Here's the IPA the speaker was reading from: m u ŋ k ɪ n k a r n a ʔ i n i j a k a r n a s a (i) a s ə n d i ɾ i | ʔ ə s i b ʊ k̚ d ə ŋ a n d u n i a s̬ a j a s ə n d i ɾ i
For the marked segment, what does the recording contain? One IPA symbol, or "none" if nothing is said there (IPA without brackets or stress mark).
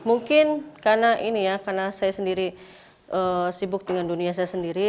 j